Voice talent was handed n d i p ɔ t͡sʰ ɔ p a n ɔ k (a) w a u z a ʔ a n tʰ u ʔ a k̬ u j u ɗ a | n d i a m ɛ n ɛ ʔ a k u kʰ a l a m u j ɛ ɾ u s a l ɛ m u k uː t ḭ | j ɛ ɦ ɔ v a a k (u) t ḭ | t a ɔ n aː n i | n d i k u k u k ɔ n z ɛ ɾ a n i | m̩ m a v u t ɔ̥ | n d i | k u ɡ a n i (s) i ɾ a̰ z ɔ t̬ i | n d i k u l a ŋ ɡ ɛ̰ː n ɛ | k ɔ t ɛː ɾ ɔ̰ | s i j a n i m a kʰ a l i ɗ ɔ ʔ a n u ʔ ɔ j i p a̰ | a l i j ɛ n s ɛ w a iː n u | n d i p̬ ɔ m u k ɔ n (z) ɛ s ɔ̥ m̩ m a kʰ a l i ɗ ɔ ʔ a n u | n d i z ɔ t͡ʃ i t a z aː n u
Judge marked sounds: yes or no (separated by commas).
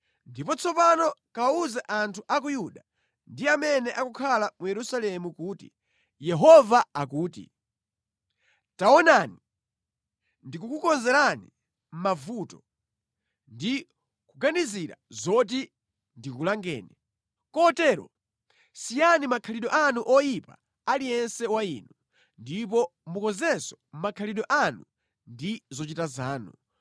yes, no, no, yes